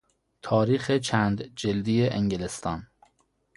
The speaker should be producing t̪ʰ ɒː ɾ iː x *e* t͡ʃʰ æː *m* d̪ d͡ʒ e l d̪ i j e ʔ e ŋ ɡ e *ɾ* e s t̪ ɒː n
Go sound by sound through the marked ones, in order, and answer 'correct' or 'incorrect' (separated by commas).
correct, incorrect, incorrect